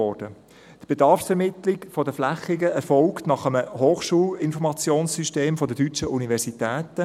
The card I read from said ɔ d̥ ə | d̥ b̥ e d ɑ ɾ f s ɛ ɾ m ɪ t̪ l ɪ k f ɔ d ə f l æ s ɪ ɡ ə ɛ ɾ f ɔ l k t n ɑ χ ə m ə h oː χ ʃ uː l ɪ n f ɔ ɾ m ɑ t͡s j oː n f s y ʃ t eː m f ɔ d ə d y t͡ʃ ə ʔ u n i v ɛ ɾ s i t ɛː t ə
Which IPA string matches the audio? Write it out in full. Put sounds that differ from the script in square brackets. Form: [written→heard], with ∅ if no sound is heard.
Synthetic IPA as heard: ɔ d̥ ə | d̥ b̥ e d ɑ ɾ f s ɛ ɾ m ɪ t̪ l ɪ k f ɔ d ə f l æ [s→χ] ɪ ɡ ə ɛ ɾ f ɔ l k t n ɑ χ ə m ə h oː χ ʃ uː l ɪ n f ɔ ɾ m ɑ t͡s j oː n [f→s] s y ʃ t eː m f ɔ d ə d y t͡ʃ ə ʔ u n i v ɛ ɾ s i t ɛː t ə